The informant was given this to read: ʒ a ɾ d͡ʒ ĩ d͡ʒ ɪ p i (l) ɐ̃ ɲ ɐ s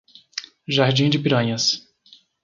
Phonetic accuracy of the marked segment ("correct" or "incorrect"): incorrect